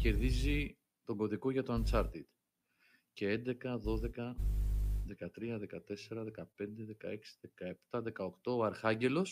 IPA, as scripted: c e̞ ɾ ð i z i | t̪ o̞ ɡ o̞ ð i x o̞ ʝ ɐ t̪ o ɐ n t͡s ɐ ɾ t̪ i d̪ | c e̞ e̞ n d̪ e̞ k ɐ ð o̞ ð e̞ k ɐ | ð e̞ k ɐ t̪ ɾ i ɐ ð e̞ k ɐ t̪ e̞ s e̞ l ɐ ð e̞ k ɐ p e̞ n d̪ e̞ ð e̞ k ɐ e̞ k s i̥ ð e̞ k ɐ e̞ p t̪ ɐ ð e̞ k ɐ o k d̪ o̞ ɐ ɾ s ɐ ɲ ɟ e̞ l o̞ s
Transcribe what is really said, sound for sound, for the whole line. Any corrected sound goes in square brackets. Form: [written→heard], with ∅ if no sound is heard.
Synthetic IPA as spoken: c e̞ ɾ ð i z i | t̪ o̞ ɡ o̞ ð i [x→k] o̞ ʝ ɐ t̪ o ɐ n t͡s ɐ ɾ t̪ i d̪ | c e̞ e̞ n d̪ e̞ k ɐ ð o̞ ð e̞ k ɐ | ð e̞ k ɐ t̪ ɾ i ɐ ð e̞ k ɐ t̪ e̞ s e̞ [l→ɾ] ɐ ð e̞ k ɐ p e̞ n d̪ e̞ ð e̞ k ɐ e̞ k s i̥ ð e̞ k ɐ e̞ p t̪ ɐ ð e̞ k ɐ o k [d̪→t̪] o̞ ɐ ɾ [s→x] ɐ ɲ ɟ e̞ l o̞ s